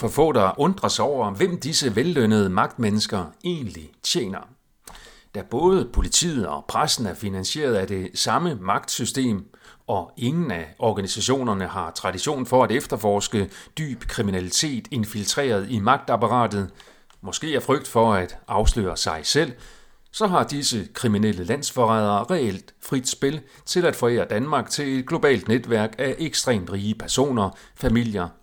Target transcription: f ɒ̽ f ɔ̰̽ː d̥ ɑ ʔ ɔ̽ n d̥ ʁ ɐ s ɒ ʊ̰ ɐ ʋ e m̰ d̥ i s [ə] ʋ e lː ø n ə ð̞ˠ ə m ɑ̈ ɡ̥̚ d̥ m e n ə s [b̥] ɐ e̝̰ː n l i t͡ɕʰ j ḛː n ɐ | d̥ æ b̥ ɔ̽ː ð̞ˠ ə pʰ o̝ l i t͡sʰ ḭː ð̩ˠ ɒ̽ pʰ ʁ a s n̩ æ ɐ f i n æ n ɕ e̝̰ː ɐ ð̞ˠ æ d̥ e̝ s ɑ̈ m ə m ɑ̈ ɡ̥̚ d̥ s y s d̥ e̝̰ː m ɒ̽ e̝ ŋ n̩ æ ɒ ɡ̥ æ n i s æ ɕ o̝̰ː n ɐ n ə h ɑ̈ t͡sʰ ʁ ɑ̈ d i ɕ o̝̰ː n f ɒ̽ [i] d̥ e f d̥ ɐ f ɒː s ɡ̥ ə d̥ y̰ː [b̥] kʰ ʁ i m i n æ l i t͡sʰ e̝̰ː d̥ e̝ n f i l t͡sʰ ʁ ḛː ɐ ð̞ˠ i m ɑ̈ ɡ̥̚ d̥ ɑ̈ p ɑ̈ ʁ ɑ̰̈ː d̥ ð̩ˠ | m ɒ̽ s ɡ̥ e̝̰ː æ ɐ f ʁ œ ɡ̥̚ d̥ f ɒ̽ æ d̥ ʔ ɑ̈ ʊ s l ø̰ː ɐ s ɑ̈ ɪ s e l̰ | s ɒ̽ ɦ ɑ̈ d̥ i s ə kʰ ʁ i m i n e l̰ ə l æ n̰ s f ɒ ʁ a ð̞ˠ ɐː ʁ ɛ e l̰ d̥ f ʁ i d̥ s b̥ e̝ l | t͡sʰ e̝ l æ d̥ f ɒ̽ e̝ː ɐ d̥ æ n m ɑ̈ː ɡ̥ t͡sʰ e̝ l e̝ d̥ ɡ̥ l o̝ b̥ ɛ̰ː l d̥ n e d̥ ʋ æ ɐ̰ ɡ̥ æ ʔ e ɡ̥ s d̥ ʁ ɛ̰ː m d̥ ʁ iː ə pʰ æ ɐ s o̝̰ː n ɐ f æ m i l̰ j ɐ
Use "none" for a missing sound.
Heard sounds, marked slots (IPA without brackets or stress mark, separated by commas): ə, ɡ̥, æ, b̥